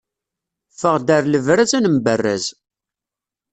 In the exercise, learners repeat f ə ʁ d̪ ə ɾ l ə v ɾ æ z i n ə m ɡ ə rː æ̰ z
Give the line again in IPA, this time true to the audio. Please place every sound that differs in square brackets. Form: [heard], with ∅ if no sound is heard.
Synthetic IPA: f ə ʁ d̪ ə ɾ l ə v ɾ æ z [æ] n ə m [b] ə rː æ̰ z